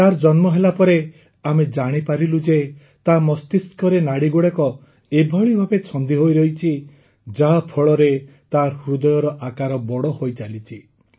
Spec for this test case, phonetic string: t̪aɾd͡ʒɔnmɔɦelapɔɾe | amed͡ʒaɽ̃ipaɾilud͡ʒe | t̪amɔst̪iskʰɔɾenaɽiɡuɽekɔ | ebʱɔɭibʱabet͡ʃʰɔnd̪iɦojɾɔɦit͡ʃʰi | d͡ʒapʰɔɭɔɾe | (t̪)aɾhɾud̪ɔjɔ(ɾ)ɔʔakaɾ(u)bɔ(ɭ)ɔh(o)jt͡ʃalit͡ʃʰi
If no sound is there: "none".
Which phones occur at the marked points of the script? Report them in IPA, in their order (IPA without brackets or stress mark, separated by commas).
t̪, ɾ, ɔ, ɽ, o